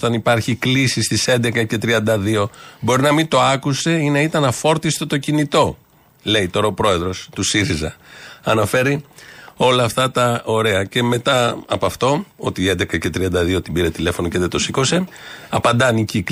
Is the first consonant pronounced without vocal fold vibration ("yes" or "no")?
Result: yes